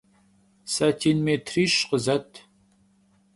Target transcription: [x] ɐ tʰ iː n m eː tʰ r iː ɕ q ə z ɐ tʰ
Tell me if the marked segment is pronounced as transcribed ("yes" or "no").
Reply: no